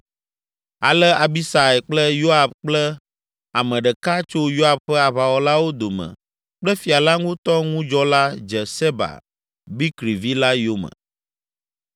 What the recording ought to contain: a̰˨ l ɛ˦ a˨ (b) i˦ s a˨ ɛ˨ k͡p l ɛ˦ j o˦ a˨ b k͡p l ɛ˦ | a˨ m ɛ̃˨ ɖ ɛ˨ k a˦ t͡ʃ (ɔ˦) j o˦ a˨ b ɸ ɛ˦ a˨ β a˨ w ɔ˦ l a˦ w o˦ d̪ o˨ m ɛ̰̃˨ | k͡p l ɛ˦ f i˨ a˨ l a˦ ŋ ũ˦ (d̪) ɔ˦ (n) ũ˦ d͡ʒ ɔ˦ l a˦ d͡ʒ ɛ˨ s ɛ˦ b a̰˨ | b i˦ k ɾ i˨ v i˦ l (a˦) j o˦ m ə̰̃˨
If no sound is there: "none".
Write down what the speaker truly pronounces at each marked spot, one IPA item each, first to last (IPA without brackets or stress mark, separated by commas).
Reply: b, o˦, t̪, ŋ, a˦